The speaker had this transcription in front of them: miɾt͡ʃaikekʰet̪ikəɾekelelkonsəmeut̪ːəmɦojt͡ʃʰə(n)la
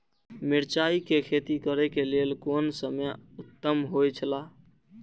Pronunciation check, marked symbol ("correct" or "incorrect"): incorrect